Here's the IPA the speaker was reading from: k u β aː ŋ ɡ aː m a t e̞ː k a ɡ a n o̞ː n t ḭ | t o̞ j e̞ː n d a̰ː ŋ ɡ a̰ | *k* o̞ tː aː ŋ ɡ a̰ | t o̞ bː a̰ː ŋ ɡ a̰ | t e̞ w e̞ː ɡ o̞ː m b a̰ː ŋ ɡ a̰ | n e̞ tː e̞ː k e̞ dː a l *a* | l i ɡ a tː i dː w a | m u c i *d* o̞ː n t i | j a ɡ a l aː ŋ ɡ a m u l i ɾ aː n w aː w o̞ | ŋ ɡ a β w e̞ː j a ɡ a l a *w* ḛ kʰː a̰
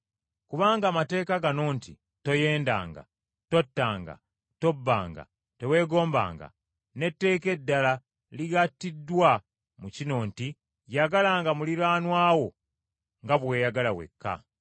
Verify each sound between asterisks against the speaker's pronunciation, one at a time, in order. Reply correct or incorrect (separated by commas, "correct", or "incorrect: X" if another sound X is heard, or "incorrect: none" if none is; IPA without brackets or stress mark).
incorrect: t, correct, incorrect: n, correct